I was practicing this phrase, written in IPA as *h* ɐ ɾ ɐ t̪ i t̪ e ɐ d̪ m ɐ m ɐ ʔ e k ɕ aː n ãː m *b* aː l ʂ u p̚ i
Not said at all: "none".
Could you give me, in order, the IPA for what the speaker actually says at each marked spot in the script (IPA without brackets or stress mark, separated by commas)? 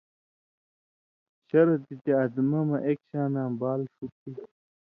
ɕ, b